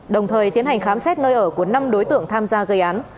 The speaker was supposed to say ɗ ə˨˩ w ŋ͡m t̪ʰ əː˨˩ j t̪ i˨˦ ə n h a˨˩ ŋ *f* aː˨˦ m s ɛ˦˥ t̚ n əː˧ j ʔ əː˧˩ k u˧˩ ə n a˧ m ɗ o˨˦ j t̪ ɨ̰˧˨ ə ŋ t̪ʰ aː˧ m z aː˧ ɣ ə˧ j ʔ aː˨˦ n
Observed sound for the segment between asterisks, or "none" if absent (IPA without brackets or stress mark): x